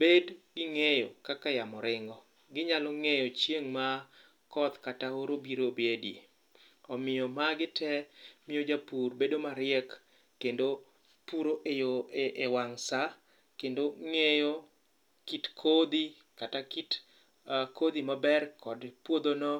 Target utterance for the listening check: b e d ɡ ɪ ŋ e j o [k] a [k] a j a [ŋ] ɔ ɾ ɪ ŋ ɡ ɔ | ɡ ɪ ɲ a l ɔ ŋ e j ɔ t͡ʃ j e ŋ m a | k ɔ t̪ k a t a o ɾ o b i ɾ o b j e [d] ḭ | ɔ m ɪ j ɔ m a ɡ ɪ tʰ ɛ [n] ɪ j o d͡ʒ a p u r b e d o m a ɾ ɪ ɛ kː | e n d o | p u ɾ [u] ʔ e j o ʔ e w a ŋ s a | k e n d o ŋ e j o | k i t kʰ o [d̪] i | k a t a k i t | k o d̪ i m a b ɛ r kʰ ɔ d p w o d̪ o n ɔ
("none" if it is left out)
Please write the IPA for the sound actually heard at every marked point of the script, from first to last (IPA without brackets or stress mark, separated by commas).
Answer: k, k, m, d, m, o, d̪